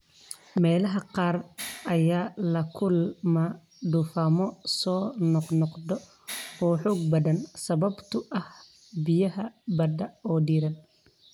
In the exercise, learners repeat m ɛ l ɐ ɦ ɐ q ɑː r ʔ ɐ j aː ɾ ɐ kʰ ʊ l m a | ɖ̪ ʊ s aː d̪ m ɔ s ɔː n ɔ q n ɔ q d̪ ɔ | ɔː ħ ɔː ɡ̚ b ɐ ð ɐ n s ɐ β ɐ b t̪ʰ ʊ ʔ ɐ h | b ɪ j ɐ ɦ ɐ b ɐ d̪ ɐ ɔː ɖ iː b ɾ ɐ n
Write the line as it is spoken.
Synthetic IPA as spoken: m ɛː l ɐ ɦ ɐ q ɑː r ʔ ɐ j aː l ɐ kʰ ʊ l m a | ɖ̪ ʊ f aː m ɔ s ɔː n ɔ q n ɔ q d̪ ɔ | ɔː ħ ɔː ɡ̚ b ɐ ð ɐ n s ɐ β ɐ b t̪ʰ ʊ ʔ ɐ h | b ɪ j ɐ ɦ ɐ b ɐ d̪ ɐ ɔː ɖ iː ɾ ɐ n